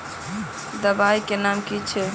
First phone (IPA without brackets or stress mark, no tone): d̪